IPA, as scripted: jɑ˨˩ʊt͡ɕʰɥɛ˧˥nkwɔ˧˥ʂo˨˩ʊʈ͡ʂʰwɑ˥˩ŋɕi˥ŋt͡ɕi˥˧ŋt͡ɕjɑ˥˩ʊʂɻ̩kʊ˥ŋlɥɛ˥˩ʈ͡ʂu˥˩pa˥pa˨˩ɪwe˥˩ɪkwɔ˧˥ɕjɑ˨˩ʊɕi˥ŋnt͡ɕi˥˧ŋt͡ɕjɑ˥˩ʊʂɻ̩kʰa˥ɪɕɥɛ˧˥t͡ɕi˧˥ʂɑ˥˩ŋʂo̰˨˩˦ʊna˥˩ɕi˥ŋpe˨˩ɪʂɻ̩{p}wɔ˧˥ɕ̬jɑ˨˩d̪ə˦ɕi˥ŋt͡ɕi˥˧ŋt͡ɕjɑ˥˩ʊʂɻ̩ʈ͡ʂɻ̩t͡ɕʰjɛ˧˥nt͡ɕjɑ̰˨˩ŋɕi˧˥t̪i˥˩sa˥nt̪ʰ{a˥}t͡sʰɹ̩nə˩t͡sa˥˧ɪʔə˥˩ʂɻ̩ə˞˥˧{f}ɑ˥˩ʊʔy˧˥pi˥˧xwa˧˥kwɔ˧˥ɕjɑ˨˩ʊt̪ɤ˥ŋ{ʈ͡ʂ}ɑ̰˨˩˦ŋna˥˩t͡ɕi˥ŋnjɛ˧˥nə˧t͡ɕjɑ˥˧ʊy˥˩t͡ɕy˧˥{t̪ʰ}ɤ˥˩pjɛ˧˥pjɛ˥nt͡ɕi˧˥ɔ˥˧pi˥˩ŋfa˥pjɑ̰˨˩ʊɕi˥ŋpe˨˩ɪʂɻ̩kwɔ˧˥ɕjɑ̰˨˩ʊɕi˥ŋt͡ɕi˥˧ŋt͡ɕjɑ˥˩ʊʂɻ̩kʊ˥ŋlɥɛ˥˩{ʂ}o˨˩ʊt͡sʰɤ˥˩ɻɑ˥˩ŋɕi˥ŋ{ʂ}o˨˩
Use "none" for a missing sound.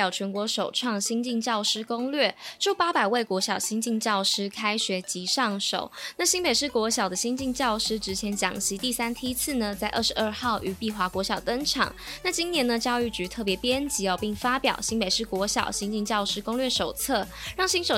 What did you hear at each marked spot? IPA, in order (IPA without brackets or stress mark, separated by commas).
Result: k, i˥, x, ʈ͡ʂʰ, t̪ʰ, ʂ, ʂ